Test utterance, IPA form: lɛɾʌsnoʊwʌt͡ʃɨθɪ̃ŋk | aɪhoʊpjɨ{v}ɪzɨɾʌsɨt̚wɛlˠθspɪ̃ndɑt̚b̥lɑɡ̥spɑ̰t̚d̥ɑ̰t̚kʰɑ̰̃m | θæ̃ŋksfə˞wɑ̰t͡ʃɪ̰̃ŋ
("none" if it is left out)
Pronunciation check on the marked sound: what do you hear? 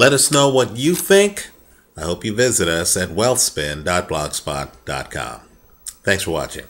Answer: v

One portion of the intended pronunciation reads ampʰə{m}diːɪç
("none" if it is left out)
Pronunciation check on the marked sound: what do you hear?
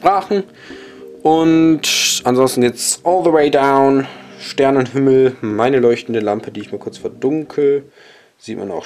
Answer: none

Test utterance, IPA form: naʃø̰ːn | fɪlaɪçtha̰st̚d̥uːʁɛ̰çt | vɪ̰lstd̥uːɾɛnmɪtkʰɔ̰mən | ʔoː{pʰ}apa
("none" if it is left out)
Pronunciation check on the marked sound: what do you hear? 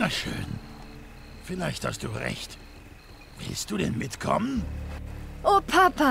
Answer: pʰ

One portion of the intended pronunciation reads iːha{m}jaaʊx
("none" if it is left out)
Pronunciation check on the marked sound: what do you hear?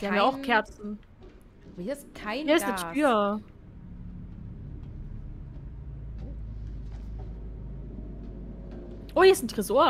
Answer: m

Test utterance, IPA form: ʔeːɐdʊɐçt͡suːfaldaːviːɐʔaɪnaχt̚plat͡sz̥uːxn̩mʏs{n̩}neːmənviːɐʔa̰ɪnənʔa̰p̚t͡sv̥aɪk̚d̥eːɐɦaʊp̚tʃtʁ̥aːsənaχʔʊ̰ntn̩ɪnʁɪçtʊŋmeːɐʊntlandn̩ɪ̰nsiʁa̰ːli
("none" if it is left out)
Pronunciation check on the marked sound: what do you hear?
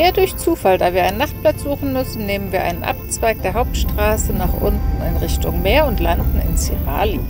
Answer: n̩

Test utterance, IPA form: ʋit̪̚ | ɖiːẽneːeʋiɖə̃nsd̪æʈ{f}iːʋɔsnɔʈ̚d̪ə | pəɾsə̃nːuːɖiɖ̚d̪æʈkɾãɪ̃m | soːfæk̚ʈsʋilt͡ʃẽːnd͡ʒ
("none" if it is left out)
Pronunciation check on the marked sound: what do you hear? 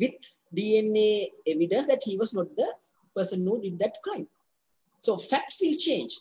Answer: h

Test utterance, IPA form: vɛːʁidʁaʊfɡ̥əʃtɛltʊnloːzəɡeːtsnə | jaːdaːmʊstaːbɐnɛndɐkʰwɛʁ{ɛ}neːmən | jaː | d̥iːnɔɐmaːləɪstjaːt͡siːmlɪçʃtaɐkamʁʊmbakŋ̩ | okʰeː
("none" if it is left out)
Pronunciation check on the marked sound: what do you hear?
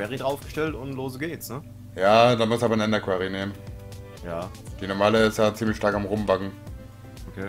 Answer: i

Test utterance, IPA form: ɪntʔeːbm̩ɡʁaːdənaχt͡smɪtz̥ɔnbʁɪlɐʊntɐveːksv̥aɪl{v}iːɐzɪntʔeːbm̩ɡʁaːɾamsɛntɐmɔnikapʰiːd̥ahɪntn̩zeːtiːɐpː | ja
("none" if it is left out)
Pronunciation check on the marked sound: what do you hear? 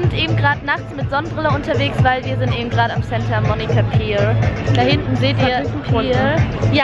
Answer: v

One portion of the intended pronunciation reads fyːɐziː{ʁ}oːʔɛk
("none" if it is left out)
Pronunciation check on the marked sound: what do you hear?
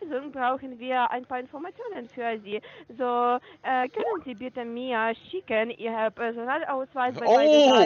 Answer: z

